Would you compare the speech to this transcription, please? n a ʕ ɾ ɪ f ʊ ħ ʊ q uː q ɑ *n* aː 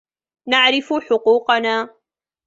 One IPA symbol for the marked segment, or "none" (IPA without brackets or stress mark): n